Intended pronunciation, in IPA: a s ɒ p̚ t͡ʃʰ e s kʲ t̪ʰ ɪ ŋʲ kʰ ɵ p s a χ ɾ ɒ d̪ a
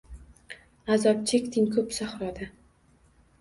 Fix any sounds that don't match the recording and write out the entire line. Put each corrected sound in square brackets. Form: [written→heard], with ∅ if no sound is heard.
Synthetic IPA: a [s→z] ɒ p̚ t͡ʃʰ e [s→∅] kʲ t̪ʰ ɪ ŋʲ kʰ ɵ p s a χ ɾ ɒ d̪ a